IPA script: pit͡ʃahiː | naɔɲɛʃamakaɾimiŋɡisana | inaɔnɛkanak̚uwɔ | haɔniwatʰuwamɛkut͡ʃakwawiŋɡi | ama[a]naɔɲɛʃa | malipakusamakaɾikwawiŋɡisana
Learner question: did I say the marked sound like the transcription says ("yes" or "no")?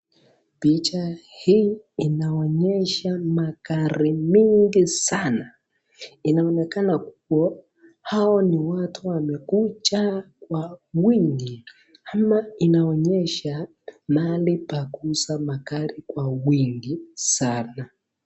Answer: no